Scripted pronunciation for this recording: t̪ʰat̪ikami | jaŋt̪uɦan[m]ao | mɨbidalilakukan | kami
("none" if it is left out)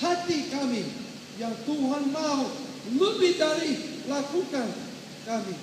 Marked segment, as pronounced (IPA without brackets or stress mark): m